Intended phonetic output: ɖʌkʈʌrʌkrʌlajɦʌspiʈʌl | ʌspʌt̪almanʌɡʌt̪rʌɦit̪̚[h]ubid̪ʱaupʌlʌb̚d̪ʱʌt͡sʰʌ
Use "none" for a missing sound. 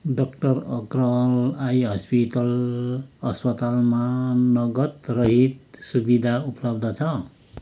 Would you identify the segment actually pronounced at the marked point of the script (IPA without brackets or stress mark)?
s